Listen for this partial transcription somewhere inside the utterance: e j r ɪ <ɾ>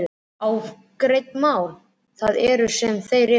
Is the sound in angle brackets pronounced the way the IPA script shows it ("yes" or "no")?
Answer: no